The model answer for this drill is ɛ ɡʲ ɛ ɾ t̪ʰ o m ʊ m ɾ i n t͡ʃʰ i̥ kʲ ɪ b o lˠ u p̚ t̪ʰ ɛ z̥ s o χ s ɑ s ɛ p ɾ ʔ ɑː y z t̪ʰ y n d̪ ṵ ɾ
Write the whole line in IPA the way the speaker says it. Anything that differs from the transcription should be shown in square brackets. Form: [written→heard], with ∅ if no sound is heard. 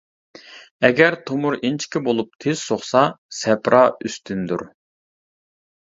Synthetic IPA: ɛ ɡʲ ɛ ɾ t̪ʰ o m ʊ [m→∅] ɾ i n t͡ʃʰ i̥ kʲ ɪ b o lˠ u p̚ t̪ʰ [ɛ→e] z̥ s o χ s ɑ s ɛ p ɾ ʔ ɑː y [z→s] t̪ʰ y n d̪ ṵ ɾ